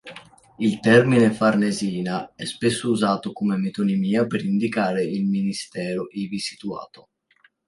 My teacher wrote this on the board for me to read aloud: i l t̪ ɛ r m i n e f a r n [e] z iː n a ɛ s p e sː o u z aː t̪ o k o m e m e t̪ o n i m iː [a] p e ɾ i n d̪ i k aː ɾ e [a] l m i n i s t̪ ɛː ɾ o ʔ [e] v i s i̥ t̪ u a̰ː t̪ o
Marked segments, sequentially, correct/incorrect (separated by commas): correct, correct, incorrect, incorrect